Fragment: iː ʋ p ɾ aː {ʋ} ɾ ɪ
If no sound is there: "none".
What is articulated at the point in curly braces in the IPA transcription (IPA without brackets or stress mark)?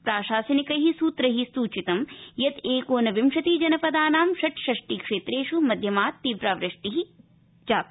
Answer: ʋ